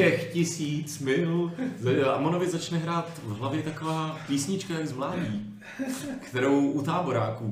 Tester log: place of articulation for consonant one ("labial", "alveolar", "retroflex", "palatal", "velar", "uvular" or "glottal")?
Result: velar